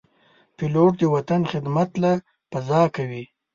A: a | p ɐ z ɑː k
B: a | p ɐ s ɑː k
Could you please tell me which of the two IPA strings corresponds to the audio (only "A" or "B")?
A